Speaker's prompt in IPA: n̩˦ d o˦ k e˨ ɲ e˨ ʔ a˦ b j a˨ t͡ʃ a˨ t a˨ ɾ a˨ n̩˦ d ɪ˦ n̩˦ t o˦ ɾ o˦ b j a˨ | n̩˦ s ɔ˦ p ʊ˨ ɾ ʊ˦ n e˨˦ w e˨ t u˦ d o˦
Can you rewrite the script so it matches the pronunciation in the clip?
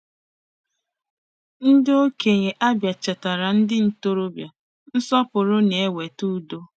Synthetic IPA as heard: n̩˦ d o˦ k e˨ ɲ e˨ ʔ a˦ b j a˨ t͡ʃ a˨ t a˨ ɾ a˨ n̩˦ d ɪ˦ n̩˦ t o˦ ɾ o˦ b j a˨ | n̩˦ s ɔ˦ p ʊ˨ ɾ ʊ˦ n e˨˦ w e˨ t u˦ d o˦

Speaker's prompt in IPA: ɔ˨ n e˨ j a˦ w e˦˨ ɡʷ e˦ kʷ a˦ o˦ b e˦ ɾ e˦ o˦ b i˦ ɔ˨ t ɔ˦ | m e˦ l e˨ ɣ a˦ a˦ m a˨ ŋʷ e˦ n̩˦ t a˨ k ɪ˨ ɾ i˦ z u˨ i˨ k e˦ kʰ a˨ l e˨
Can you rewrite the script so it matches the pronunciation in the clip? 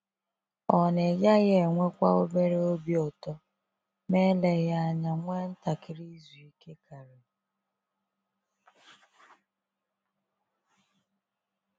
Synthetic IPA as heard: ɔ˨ n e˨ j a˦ ɣ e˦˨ ŋʷ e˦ kʷ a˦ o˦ b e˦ ɾ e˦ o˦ b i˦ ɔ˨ t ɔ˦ | m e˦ l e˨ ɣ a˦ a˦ ɲ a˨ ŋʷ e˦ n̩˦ t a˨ k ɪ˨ ɾ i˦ z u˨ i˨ k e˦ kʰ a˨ ɾ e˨

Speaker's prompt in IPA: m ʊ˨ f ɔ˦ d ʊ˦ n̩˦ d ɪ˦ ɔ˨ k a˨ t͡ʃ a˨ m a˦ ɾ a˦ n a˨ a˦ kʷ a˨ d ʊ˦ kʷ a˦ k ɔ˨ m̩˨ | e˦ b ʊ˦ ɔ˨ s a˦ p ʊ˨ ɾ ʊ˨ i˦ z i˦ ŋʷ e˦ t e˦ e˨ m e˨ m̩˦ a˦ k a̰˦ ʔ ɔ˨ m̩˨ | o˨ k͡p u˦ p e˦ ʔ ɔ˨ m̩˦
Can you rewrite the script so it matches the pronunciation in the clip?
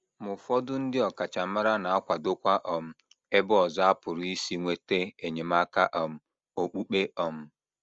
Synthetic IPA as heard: m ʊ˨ f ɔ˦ d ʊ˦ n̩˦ d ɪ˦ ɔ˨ k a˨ t͡ʃ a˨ m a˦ ɾ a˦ n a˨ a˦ kʷ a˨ d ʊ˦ kʷ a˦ ʔ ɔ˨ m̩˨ | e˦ b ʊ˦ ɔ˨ z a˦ p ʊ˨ ɾ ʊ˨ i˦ s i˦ ŋʷ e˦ t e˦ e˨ ɲ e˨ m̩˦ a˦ k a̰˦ ʔ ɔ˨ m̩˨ | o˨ k͡p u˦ k͡p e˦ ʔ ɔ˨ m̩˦

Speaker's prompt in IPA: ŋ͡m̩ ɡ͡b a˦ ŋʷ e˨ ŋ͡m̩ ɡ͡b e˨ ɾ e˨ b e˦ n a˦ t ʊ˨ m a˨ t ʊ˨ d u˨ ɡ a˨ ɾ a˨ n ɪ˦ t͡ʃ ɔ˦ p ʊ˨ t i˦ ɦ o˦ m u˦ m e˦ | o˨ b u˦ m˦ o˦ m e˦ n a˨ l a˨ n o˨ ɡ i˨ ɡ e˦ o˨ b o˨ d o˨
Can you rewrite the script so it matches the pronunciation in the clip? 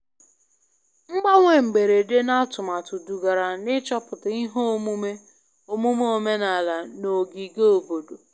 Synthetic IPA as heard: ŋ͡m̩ ɡ͡b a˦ ŋʷ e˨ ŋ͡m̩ ɡ͡b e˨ ɾ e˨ d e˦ n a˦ t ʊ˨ m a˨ t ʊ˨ d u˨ ɡ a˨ ɾ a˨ n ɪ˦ t͡ʃ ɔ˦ p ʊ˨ t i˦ ɦ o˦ m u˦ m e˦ | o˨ m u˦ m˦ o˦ m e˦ n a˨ l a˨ n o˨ ɡ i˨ ɡ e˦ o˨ b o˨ d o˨

